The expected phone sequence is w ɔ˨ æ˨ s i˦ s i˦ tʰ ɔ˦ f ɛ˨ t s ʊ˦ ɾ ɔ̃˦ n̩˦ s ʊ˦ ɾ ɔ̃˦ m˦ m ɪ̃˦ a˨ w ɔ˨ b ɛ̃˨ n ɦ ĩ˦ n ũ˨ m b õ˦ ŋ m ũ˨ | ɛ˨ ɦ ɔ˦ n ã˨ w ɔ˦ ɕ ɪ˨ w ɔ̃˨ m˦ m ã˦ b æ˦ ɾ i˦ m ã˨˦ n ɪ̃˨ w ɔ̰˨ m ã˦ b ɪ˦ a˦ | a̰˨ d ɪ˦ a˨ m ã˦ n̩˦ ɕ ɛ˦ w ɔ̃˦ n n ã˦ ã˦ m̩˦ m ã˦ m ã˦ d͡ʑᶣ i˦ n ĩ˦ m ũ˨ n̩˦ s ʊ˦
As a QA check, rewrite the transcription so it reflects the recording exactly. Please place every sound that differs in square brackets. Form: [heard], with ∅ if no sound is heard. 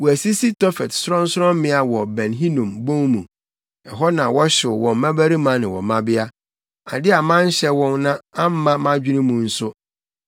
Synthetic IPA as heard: w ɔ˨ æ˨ s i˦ s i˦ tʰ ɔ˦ f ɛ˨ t s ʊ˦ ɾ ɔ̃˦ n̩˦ s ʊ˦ ɾ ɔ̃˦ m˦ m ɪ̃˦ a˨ w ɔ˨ b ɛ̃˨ n ɦ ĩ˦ n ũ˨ m b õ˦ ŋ m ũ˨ | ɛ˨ ɦ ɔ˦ n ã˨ w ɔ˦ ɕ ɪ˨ w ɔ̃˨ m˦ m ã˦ b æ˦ ɾ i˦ m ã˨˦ n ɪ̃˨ w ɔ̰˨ m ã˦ b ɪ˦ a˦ | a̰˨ d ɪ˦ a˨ m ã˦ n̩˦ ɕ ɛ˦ w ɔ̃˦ n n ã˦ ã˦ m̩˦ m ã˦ m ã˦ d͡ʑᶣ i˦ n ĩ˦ m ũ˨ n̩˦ s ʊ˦